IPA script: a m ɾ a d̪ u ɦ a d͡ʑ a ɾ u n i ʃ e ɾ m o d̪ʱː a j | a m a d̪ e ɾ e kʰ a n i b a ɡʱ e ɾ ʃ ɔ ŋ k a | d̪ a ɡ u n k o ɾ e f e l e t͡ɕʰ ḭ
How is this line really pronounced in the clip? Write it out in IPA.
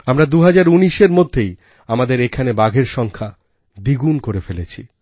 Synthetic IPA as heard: a m ɾ a d̪ u ɦ a d͡ʑ a ɾ u n i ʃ e ɾ m o d̪ʱː e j | a m a d̪ e ɾ e kʰ a n e b a ɡʱ e ɾ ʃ ɔ ŋ kʰ a | d̪ i ɡ u n k o ɾ e f e l e t͡ɕʰ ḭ